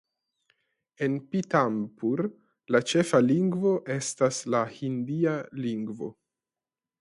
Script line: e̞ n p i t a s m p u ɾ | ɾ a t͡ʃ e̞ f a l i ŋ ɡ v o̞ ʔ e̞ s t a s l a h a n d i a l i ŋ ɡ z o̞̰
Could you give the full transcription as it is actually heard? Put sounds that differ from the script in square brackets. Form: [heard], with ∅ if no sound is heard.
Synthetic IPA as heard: e̞ n p i t a [∅] m p u ɾ | [l] a t͡ʃ e̞ f a l i ŋ ɡ v o̞ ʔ e̞ s t a s l a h [i] n d i a l i ŋ ɡ [v] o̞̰